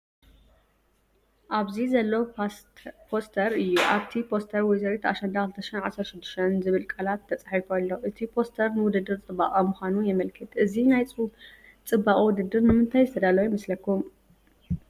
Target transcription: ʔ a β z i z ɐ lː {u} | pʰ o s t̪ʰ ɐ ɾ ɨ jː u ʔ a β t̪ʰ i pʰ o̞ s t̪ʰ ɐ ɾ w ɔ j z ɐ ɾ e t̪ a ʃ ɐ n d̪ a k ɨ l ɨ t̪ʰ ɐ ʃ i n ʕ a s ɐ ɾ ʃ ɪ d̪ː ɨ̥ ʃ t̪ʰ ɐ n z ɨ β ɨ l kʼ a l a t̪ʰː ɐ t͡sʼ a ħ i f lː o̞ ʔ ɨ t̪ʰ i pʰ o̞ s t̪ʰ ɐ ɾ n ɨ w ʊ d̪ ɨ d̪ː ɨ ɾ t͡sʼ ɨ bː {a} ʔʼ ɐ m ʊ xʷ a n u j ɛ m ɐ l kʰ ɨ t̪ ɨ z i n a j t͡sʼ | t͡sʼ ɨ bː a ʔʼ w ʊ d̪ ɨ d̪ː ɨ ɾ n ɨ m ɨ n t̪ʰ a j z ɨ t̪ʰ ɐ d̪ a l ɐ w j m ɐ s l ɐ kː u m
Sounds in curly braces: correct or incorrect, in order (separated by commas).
incorrect, correct